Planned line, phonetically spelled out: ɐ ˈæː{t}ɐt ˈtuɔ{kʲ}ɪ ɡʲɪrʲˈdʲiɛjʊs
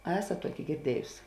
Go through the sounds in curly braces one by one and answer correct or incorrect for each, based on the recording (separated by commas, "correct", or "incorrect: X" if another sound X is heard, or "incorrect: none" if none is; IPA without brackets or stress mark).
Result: incorrect: s, correct